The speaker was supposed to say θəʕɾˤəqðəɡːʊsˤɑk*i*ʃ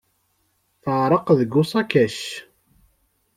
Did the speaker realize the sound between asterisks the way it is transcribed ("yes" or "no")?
no